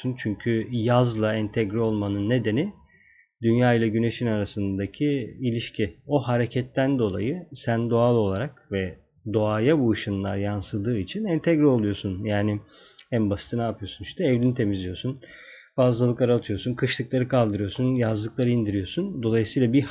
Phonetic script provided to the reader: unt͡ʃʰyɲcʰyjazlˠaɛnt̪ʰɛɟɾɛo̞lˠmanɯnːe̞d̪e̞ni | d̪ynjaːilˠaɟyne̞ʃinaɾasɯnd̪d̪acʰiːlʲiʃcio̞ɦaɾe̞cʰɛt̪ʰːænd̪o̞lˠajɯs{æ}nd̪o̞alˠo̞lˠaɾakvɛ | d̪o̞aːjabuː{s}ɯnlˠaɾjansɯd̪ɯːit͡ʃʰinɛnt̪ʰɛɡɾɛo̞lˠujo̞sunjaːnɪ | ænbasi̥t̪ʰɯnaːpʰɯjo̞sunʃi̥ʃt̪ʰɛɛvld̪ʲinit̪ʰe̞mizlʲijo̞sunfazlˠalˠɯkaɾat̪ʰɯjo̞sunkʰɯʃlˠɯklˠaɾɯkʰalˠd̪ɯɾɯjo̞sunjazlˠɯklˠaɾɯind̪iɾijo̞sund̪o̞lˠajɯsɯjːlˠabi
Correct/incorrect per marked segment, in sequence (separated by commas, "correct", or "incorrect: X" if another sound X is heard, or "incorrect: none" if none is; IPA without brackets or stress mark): correct, incorrect: ʃ